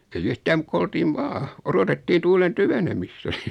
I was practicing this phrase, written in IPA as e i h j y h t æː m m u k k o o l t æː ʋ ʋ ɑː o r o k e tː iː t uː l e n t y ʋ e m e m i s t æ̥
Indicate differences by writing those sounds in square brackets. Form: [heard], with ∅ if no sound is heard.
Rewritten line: e i [∅] j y h t æː m m u k k o o l t [iː] ʋ ʋ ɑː o r o [t] e tː iː t uː l e n t y ʋ e [n] e m i s t æ̥